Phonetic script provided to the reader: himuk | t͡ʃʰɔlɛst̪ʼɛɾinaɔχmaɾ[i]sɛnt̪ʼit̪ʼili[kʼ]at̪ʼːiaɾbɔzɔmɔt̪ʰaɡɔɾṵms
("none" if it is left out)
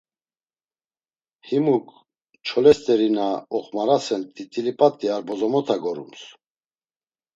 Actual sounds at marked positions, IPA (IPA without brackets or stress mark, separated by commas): a, pʼ